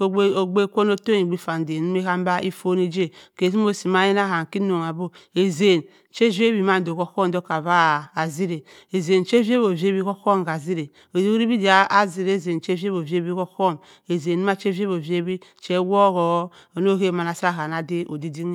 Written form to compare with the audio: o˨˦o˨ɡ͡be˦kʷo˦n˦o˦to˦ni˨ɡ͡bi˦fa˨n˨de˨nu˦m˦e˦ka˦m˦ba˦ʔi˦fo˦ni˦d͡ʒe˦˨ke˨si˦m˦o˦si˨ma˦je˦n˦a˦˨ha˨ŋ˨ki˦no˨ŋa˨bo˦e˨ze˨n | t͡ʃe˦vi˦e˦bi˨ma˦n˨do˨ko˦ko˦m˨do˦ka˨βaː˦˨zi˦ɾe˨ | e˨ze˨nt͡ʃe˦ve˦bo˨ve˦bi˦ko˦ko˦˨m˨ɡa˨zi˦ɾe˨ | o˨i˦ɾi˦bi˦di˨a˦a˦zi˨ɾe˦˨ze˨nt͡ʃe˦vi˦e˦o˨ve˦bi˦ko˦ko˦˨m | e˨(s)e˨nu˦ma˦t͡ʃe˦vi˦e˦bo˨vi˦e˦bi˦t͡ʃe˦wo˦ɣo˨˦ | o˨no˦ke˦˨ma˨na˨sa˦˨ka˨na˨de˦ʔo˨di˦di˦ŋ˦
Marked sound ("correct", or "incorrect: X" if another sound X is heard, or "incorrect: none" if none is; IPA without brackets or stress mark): incorrect: z